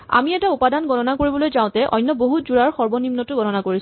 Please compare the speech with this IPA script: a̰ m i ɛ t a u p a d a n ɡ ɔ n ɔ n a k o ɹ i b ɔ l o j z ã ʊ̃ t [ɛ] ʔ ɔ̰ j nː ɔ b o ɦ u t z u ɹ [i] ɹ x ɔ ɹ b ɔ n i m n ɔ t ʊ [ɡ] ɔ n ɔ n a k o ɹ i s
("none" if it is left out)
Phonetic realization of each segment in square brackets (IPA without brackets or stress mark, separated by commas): ɛ, a, ɡ